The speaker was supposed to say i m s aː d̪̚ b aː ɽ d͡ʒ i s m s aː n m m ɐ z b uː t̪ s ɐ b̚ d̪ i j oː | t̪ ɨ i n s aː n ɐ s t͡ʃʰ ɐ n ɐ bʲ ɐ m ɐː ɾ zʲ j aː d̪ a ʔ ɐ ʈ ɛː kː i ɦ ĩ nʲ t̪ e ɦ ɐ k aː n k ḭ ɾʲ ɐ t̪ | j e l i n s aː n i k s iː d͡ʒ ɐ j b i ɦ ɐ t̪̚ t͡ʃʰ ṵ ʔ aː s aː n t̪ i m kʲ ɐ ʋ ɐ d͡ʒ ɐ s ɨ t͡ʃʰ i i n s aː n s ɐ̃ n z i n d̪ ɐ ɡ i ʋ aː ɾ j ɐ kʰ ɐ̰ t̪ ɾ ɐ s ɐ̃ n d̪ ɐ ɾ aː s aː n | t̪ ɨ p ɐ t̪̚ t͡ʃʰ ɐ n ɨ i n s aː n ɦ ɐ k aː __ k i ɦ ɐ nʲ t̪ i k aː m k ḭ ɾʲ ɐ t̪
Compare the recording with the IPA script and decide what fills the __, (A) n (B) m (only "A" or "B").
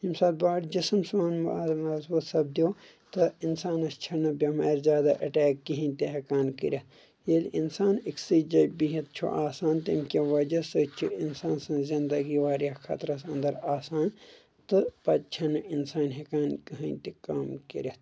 A